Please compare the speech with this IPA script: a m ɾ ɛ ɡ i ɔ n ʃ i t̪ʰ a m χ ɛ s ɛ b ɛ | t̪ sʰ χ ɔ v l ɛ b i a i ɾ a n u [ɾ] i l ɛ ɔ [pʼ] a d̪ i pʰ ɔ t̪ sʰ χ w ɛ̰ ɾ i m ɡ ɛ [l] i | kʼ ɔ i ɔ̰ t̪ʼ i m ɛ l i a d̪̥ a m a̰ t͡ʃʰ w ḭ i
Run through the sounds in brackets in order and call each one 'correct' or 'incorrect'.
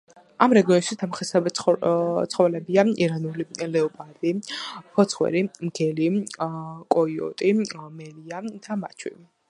incorrect: l, correct, correct

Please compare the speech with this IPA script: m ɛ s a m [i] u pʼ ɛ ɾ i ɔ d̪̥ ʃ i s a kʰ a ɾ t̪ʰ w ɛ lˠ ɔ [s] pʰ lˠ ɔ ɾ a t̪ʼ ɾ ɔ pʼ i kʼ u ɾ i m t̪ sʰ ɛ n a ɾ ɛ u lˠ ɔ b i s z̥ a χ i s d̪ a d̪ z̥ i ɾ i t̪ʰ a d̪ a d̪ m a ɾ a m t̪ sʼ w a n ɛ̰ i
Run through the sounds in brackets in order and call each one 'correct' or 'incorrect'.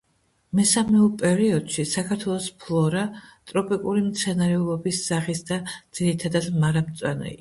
incorrect: ɛ, correct

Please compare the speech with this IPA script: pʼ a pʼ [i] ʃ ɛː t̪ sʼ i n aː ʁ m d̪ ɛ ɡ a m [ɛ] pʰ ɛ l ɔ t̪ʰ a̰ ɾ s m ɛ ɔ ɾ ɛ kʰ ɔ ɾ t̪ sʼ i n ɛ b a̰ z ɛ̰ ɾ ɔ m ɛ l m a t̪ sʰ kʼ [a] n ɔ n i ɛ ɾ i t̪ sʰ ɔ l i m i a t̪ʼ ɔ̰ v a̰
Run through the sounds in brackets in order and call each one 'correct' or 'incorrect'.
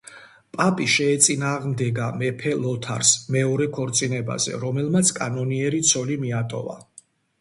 correct, correct, correct

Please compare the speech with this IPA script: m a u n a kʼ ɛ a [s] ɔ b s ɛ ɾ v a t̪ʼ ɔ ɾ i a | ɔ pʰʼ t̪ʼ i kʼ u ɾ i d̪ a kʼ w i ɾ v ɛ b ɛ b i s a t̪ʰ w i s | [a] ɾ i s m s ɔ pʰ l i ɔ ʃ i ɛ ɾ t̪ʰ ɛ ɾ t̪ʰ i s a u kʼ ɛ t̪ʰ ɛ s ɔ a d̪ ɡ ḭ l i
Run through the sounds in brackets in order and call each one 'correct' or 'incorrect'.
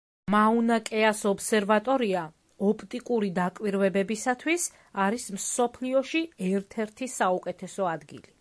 correct, correct

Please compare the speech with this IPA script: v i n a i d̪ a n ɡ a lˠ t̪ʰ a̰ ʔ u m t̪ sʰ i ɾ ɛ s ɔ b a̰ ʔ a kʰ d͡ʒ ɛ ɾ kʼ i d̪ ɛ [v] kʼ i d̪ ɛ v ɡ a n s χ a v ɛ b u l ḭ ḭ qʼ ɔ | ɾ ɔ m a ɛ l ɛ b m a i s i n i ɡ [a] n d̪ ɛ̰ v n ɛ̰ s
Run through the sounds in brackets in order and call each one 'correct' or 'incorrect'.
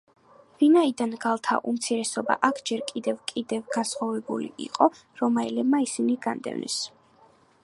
correct, correct

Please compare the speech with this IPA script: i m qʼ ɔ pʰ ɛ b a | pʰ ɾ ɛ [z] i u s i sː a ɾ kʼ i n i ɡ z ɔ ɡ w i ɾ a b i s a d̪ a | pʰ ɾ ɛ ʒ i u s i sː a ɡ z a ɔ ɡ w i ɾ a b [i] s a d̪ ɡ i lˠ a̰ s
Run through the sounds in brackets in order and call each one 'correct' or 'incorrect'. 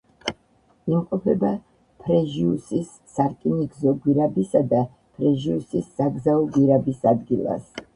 incorrect: ʒ, correct

